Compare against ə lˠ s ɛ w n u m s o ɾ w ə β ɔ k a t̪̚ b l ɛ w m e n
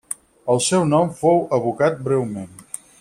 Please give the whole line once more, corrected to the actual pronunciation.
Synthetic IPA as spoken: ə lˠ s ɛ w n ɔ m f o w ə β u k a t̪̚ b ɾ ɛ w m e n